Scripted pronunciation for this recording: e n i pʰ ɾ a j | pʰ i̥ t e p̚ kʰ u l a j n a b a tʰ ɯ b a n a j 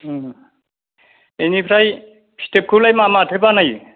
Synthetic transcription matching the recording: e n i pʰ ɾ a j | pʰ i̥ t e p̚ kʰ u l a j m a m a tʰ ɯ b a n a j